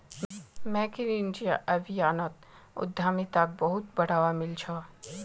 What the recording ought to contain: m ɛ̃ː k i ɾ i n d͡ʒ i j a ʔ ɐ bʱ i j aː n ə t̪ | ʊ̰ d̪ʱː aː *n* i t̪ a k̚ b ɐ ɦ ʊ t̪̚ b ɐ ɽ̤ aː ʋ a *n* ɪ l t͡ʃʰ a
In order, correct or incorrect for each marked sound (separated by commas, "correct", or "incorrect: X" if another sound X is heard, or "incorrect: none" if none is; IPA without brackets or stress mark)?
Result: incorrect: m, incorrect: m